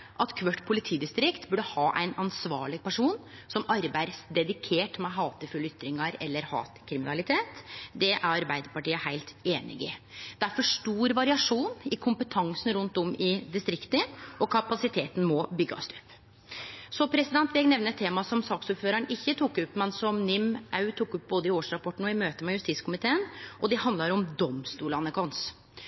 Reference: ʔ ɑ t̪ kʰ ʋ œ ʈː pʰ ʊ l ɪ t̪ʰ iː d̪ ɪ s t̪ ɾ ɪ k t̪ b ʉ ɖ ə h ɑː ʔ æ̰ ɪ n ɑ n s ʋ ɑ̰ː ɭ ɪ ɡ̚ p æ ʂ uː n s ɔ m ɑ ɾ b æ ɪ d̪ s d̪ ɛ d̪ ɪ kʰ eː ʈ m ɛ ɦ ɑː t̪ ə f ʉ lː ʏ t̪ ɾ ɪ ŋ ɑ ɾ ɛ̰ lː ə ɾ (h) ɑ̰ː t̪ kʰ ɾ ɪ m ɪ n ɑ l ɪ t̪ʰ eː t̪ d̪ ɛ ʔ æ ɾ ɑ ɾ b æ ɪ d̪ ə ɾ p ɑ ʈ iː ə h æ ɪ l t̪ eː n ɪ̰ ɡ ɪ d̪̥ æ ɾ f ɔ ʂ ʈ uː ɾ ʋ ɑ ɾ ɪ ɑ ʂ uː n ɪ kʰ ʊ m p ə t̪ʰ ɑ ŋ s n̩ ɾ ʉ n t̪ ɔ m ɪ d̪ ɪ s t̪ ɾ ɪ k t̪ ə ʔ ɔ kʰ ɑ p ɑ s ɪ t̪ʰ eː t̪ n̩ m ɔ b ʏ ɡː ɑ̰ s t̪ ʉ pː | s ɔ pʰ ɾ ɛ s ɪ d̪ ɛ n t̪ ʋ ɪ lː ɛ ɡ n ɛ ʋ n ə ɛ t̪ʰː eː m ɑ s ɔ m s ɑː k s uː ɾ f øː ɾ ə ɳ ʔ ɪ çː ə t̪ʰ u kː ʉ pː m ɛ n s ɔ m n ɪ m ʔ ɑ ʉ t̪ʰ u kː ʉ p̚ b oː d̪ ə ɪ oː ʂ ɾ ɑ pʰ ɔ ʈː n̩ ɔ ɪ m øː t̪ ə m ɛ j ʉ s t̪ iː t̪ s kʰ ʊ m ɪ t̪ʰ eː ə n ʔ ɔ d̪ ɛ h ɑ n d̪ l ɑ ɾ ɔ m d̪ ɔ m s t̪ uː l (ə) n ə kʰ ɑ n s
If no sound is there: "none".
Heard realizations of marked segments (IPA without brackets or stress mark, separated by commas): h, ɑ